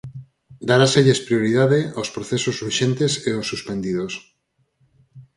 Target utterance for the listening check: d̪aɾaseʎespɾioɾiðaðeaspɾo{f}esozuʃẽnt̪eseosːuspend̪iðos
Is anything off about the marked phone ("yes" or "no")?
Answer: yes